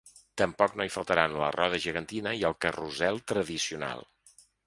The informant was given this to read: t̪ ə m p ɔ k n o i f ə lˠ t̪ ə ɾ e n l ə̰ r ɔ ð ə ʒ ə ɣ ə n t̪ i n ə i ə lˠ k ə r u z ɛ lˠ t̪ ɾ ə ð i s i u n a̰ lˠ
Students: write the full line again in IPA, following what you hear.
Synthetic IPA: t̪ ə m p ɔ k n o i f ə lˠ t̪ ə ɾ a n l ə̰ r ɔ ð ə ʒ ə ɣ ə n t̪ i n ə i ə lˠ k ə r u z ɛ lˠ t̪ ɾ ə ð i s i u n a̰ lˠ